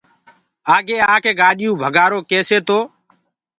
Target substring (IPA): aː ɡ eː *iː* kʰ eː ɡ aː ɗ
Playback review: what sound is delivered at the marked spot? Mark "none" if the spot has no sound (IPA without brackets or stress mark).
aː